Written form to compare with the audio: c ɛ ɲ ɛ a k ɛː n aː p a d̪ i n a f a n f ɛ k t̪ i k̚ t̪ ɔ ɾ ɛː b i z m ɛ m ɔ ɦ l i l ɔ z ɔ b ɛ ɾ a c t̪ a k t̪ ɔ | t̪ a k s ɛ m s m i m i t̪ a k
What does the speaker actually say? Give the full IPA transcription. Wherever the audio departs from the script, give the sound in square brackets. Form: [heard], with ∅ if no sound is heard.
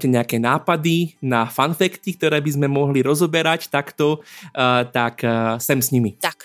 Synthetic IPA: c ɛ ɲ ɛ a k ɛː n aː p a d̪ i n a f a n f ɛ k t̪ i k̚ t̪ ɔ ɾ ɛː b i z m ɛ m ɔ ɦ l i [ɾ] ɔ z ɔ b ɛ ɾ a c t̪ a k t̪ ɔ | t̪ a k s ɛ m s [ɲ] i m i t̪ a k